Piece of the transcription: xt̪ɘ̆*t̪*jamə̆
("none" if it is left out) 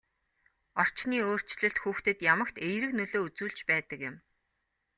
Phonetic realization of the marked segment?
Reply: t̪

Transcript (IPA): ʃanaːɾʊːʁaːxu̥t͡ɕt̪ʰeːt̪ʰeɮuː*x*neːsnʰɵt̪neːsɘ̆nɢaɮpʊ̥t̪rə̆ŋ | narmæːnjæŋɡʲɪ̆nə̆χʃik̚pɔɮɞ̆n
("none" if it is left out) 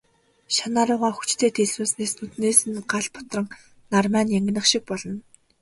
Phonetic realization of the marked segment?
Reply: s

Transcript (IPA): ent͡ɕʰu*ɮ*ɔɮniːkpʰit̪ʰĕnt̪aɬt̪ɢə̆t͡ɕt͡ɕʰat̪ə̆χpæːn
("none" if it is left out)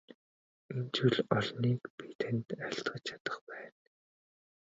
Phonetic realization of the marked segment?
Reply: ɮ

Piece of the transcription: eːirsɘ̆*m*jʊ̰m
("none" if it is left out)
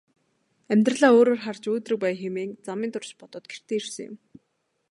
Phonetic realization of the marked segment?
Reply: ŋ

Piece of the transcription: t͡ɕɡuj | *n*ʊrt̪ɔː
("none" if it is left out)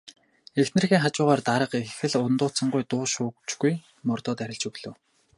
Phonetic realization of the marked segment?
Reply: m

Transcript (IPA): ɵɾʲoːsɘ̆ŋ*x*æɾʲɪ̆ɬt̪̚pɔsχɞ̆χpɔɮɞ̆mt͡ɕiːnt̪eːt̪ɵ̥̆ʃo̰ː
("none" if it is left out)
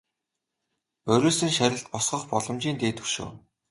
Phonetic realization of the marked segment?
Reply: ʃ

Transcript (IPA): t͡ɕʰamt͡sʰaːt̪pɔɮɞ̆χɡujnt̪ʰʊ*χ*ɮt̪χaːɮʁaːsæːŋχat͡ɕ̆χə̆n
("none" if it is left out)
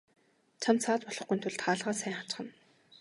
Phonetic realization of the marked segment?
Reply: none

